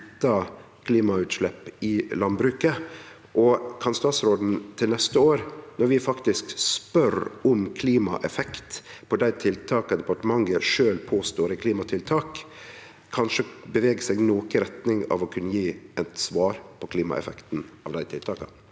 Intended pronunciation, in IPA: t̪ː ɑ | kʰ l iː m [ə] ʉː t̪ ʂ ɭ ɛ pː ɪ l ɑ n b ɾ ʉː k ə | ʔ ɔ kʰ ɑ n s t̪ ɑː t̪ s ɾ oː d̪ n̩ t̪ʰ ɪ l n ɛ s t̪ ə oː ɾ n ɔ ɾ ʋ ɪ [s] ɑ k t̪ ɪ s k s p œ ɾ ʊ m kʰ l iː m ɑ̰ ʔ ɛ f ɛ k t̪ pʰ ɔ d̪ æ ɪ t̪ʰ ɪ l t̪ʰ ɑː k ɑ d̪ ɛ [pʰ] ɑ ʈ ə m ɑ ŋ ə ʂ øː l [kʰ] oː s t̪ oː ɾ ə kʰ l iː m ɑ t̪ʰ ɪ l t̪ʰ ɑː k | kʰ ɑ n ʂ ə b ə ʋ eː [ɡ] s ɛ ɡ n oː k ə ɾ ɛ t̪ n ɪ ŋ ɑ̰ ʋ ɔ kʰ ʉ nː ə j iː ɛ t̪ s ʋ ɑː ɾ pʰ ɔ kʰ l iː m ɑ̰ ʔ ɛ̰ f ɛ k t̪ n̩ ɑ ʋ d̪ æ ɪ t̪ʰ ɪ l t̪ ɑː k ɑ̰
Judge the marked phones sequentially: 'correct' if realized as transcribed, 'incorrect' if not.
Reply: incorrect: ɑ, incorrect: f, incorrect: p, incorrect: pʰ, correct

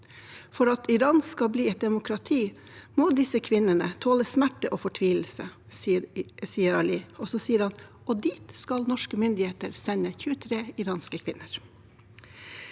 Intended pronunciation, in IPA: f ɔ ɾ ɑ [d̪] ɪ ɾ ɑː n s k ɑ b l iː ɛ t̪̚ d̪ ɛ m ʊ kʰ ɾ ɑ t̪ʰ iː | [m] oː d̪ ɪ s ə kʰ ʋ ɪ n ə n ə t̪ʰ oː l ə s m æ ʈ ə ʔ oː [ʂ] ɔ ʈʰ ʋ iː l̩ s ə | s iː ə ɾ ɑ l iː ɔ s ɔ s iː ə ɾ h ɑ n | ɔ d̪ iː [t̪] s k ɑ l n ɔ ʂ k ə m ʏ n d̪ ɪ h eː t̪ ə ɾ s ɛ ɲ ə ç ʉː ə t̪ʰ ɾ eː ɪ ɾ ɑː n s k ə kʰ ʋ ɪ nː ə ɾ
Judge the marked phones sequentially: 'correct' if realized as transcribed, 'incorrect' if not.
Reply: incorrect: t̪, correct, incorrect: f, correct

